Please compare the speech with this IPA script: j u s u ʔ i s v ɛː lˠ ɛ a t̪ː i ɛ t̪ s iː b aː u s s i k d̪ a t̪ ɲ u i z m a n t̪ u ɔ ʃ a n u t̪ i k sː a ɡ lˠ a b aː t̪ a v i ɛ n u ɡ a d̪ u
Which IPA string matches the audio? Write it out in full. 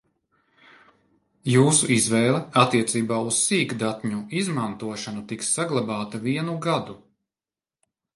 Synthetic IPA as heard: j uː s u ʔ i z v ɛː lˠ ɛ a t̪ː i ɛ t̪ s iː b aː u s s iː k d̪ a t̪ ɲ u i z m a n t̪ u ɔ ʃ a n u t̪ i k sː a ɡ lˠ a b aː t̪ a v i ɛ n u ɡ a d̪ u